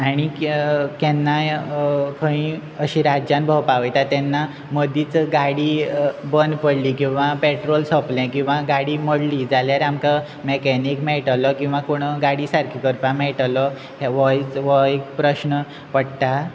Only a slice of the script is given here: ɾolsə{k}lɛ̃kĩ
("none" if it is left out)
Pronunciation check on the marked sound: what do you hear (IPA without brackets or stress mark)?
p